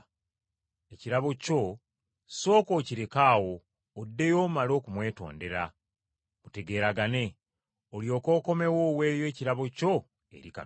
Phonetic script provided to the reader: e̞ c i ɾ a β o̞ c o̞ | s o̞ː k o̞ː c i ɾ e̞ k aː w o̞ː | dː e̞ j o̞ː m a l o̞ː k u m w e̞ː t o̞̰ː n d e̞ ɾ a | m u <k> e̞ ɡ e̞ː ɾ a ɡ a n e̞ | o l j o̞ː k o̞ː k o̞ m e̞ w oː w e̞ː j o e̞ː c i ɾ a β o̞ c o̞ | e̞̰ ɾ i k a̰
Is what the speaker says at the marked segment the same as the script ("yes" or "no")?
no